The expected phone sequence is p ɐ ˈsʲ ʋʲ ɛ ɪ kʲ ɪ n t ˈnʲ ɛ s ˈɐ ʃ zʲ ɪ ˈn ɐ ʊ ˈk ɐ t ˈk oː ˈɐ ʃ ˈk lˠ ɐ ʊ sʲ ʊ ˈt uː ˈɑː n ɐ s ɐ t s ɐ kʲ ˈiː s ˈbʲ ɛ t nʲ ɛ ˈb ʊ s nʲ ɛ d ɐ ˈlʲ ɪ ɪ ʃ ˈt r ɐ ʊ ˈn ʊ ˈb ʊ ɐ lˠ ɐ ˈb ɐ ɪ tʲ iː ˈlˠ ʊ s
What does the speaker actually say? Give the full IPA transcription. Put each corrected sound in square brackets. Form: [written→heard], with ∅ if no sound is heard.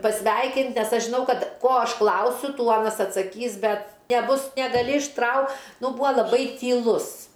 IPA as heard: p ɐ ˈsʲ ʋʲ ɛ ɪ kʲ ɪ n t ˈnʲ ɛ s ˈɐ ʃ [zʲ→ʒʲ] ɪ ˈn ɐ ʊ ˈk ɐ t ˈk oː ˈɐ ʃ ˈk lˠ ɐ ʊ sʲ ʊ ˈt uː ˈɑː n ɐ s ɐ t s ɐ kʲ ˈiː s ˈbʲ ɛ t nʲ ɛ ˈb ʊ s nʲ ɛ [d→ɡ] ɐ ˈlʲ ɪ ɪ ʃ ˈt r ɐ ʊ ˈn ʊ ˈb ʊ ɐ lˠ ɐ ˈb ɐ ɪ tʲ iː ˈlˠ ʊ s

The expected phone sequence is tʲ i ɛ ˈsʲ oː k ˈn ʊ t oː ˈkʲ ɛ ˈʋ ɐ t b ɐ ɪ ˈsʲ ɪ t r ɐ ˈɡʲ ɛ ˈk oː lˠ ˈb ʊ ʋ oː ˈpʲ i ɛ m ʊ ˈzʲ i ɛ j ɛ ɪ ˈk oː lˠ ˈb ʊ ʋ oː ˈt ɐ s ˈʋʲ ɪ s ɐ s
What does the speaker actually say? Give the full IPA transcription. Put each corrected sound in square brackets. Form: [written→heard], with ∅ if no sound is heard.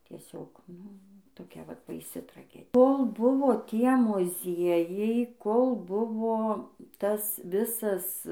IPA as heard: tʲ i ɛ ˈsʲ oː k ˈn ʊ t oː ˈkʲ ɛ ˈʋ ɐ t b ɐ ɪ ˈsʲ ɪ t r ɐ ˈɡʲ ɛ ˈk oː lˠ ˈb ʊ ʋ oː [ˈpʲ→ˈtʲ] i ɛ m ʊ ˈzʲ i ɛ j ɛ ɪ ˈk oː lˠ ˈb ʊ ʋ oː ˈt ɐ s ˈʋʲ ɪ s ɐ s

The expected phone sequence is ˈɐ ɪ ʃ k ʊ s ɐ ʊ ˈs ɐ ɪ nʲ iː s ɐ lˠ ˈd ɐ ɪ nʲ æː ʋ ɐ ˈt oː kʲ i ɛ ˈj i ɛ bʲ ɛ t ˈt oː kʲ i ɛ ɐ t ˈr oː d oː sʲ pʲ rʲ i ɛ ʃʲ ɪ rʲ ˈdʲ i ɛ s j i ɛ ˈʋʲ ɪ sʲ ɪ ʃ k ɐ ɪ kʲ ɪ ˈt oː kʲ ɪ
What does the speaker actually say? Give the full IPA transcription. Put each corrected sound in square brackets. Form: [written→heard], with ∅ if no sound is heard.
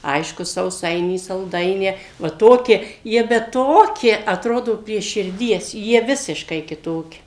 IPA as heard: ˈɐ ɪ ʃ k ʊ s ɐ ʊ ˈs ɐ ɪ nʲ iː s ɐ lˠ ˈd ɐ ɪ nʲ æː ʋ ɐ ˈt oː kʲ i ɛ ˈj i ɛ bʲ ɛ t ˈt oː kʲ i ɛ ɐ t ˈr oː d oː [sʲ→∅] pʲ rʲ i ɛ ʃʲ ɪ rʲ ˈdʲ i ɛ s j i ɛ ˈʋʲ ɪ sʲ ɪ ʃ k ɐ ɪ kʲ ɪ ˈt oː kʲ ɪ

